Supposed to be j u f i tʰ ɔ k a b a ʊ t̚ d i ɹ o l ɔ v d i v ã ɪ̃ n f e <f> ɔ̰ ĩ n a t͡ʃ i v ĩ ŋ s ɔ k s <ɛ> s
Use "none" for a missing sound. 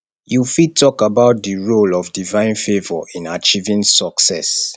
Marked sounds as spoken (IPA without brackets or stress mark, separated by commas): v, ɛ